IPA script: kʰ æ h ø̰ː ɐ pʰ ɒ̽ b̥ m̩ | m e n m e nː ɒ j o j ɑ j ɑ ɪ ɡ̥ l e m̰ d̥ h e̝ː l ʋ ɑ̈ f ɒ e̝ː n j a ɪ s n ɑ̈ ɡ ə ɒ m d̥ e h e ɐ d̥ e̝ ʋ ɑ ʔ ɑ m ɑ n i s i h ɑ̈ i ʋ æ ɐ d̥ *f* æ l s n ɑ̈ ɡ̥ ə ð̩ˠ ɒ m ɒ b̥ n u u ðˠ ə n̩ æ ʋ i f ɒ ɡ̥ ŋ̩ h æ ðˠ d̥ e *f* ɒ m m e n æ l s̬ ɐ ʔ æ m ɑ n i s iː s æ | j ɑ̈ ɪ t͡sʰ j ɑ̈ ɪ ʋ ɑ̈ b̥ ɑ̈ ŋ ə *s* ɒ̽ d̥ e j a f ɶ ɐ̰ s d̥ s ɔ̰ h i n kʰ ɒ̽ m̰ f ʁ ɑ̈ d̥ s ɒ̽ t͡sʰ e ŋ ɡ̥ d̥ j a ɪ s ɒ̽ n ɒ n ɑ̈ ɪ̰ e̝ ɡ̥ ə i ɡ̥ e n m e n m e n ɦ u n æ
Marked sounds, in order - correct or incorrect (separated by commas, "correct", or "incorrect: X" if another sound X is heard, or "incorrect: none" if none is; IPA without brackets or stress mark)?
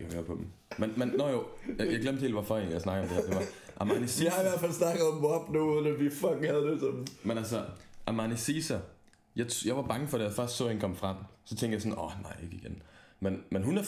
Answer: correct, incorrect: s, incorrect: f